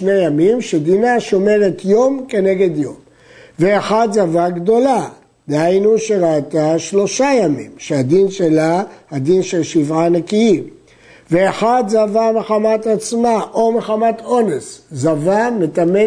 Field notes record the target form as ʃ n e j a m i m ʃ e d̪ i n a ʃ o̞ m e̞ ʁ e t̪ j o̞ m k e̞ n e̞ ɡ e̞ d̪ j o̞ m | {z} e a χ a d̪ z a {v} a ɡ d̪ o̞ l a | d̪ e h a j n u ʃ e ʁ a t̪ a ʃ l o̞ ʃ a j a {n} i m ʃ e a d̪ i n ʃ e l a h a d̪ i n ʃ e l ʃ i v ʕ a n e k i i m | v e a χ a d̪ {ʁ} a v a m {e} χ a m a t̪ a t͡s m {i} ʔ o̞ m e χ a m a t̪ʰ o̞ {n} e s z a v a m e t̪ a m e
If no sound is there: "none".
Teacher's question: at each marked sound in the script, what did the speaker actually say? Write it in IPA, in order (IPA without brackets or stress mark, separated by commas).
v, v, m, z, e, a, n